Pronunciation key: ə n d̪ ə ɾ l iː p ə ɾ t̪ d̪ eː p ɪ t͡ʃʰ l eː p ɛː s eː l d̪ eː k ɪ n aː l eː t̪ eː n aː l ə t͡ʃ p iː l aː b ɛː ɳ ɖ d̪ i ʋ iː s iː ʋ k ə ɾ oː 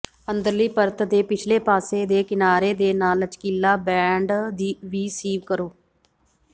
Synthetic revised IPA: ə n d̪ ə ɾ l iː p ə ɾ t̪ d̪ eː p ɪ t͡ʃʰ l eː p aː s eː d̪ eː k ɪ n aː ɾ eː d̪ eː n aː l ə t͡ʃ k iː l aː b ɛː ɳ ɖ d̪ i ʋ iː s iː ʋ k ə ɾ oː